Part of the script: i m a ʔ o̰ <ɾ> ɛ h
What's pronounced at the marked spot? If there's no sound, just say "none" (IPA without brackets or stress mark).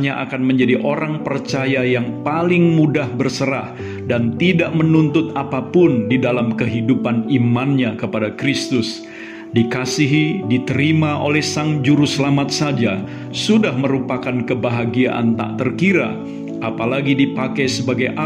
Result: l